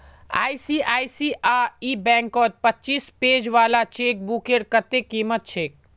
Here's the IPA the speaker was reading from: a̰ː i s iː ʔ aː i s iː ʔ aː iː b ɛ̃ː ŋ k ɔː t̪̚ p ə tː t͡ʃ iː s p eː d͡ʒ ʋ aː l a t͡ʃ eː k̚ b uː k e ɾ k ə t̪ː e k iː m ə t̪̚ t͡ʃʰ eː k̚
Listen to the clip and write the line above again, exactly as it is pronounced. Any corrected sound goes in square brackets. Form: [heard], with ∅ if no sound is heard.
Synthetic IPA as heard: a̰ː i s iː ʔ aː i s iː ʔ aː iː b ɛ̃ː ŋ k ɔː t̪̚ p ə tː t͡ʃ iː s p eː d͡ʒ ʋ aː l a t͡ʃ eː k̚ b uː k e ɾ k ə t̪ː e k iː m ə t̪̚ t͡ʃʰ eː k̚